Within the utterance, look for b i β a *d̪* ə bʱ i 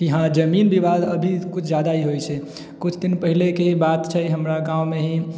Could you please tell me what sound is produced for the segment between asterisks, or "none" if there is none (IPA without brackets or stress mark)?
d̪